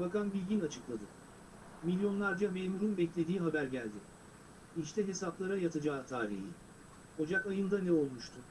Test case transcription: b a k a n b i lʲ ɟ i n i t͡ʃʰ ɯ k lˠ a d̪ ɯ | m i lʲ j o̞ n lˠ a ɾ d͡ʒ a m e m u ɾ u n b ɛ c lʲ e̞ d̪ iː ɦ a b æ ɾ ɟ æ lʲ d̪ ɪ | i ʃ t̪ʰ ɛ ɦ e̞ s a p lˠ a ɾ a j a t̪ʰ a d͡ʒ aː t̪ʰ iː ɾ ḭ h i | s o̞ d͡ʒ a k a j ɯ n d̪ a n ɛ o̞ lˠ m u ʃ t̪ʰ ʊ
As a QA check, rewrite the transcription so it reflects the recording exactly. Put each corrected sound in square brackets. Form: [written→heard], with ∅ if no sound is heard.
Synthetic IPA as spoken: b a k a n b i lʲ ɟ i n [i→a] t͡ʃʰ ɯ k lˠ a d̪ ɯ | m i lʲ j o̞ n lˠ a ɾ d͡ʒ a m e m u ɾ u n b ɛ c lʲ e̞ d̪ iː ɦ a b æ ɾ ɟ æ lʲ d̪ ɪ | i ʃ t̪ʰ ɛ ɦ e̞ s a p lˠ a ɾ a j a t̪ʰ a d͡ʒ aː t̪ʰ [iː→aː] ɾ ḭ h i | [s→h] o̞ d͡ʒ a k a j ɯ n d̪ a n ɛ o̞ lˠ m u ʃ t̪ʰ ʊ